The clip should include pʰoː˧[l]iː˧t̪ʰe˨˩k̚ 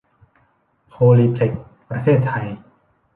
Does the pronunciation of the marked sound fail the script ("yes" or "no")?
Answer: no